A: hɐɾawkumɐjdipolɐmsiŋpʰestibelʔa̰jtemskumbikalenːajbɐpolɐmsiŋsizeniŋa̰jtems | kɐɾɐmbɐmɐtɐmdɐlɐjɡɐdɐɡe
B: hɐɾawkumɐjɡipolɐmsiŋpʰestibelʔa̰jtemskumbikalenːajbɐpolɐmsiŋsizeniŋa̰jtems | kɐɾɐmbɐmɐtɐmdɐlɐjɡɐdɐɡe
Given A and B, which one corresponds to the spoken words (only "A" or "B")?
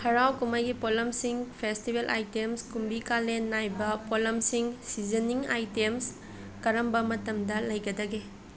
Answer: B